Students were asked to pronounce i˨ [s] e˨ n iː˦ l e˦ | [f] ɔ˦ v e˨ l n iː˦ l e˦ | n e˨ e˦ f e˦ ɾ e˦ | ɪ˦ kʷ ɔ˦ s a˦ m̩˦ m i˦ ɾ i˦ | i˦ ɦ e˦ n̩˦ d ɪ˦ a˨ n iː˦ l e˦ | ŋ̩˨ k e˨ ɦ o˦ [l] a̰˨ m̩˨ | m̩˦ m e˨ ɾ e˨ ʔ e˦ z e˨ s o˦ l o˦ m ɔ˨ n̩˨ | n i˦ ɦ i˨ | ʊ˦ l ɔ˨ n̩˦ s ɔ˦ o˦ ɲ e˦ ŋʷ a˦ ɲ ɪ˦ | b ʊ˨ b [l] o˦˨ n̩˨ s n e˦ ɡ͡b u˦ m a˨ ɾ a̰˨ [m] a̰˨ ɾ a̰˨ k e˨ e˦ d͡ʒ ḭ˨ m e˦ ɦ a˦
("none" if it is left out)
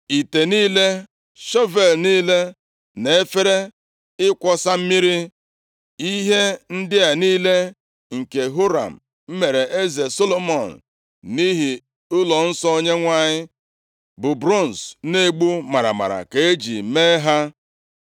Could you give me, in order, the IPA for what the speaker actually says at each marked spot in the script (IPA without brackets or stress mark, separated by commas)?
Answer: t, ʃ, ɾ, ɾ, m